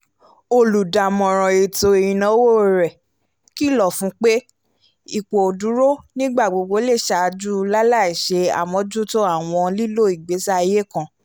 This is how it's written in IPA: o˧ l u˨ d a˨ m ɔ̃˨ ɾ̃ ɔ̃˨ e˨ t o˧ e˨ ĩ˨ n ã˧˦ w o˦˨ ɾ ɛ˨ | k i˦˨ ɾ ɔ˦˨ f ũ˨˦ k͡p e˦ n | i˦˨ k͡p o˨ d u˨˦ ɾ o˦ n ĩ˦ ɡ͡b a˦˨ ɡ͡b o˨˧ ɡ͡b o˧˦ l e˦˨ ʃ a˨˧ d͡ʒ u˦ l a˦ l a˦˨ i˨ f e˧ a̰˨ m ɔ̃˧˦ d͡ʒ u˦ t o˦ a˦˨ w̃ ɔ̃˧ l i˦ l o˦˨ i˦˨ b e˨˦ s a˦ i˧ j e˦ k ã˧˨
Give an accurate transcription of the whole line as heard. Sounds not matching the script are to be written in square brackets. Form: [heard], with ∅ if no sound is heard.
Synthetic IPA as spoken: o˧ l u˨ d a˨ m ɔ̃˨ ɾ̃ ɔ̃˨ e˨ t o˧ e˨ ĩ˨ n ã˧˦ w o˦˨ ɾ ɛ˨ | k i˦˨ [l] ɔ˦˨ f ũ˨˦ k͡p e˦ [∅] | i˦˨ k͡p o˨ d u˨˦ ɾ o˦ n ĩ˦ ɡ͡b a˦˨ ɡ͡b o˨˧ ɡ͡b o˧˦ l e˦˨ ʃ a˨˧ d͡ʒ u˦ l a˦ l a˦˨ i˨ [ʃ] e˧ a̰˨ m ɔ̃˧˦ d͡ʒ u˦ t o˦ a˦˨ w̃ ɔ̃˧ l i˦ l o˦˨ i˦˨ [ɡ͡b] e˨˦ s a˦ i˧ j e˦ k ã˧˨